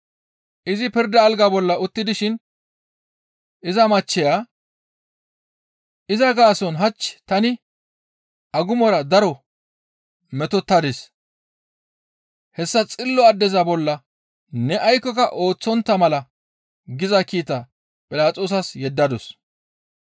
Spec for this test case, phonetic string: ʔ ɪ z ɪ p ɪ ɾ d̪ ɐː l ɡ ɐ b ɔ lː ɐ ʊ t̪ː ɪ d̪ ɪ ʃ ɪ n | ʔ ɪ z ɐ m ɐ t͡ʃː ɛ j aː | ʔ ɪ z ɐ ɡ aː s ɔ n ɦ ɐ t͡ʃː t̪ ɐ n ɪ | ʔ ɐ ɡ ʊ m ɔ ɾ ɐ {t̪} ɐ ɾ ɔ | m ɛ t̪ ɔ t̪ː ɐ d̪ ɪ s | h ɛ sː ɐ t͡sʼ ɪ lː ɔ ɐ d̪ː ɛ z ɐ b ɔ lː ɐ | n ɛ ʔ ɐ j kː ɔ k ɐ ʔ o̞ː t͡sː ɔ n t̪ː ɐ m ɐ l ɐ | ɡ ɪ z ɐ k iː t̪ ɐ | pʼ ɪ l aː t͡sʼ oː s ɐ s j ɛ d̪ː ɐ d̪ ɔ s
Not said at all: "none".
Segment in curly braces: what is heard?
d̪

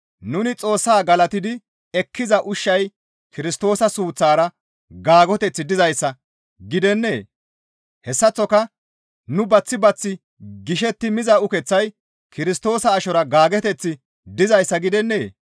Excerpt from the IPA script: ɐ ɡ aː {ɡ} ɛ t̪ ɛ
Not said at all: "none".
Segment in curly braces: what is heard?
ɡ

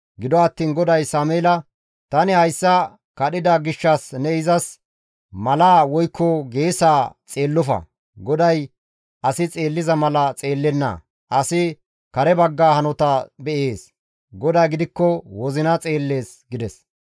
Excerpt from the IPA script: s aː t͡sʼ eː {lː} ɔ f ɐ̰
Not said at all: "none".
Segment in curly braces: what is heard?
lː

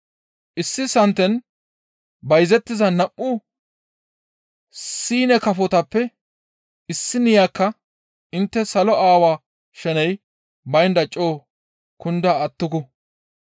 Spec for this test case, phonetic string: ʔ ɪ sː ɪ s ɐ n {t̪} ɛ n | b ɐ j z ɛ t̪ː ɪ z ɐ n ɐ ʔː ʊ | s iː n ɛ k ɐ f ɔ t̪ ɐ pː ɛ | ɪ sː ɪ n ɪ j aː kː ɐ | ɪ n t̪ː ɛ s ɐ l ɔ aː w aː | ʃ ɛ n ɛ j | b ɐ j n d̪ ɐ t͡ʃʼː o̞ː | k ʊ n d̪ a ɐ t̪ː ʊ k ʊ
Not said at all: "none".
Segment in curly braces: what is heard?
t̪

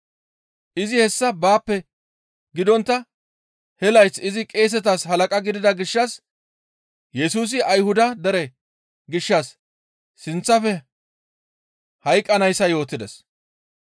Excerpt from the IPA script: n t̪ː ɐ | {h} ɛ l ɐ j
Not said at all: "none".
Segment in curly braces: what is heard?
h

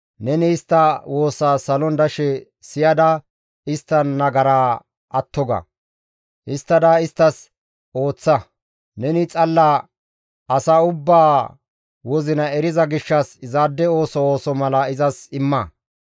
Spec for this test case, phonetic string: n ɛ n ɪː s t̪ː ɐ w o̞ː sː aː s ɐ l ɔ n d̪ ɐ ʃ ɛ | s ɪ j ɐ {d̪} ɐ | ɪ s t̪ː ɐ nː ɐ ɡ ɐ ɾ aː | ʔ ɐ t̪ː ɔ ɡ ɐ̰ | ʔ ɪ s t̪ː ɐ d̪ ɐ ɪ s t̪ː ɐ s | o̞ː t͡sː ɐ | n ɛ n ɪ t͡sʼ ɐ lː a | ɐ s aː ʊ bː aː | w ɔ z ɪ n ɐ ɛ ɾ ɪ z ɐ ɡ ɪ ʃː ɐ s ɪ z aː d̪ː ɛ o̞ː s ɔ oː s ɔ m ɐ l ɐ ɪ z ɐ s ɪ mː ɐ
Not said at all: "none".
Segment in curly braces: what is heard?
d̪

